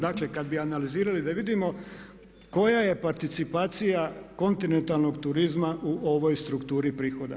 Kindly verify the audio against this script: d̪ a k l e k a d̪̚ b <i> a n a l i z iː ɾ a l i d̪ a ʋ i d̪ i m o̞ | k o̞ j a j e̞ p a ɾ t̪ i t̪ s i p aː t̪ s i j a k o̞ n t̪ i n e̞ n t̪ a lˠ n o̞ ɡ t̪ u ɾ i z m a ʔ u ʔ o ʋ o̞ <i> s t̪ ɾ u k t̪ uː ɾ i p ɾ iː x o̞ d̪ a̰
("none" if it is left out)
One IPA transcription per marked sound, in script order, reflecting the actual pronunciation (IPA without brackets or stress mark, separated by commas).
i, j